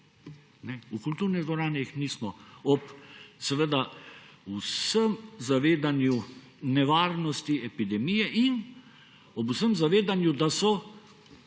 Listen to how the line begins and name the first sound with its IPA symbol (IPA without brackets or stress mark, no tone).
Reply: n